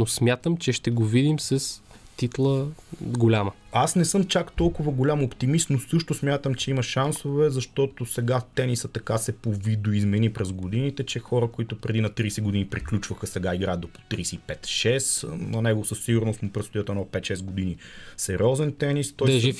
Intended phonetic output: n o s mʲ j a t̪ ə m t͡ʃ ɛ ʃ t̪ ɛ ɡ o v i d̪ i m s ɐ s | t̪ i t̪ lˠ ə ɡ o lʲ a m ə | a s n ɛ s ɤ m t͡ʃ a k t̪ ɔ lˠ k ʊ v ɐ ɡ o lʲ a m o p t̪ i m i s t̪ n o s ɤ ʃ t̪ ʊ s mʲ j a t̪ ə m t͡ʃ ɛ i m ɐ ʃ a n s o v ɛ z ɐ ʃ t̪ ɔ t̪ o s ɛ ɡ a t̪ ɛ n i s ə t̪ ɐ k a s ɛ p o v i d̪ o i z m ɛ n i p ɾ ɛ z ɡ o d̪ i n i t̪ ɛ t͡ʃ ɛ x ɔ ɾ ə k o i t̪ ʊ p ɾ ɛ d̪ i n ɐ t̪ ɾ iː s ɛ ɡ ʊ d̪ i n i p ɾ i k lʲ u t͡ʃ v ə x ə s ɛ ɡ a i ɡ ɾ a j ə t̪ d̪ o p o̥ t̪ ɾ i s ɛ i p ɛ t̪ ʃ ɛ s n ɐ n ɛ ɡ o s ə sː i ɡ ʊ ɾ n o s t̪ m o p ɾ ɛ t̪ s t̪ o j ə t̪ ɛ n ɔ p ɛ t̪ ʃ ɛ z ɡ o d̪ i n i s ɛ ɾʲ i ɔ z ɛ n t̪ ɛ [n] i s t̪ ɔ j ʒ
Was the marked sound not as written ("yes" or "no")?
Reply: no